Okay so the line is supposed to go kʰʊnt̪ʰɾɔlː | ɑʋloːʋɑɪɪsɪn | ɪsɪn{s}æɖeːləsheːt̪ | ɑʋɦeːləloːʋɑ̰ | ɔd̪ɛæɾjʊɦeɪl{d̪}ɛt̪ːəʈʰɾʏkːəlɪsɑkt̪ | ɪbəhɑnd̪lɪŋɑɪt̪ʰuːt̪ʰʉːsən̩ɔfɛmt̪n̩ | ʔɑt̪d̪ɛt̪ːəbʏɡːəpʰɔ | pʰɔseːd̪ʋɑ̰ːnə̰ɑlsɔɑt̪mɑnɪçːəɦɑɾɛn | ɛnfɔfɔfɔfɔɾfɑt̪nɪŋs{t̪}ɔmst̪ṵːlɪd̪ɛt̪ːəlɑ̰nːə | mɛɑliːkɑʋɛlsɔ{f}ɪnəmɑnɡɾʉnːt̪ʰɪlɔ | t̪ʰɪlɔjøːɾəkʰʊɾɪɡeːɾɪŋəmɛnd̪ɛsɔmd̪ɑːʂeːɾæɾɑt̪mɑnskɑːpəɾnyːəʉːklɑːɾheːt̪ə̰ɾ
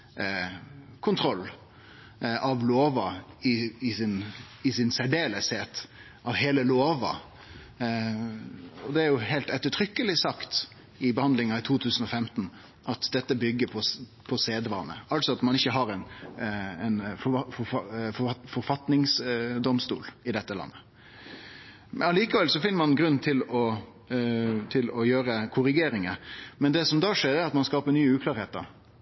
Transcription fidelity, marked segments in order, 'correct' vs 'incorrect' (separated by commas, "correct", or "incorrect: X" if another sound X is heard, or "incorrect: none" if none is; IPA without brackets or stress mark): correct, incorrect: t̪, incorrect: d̪, correct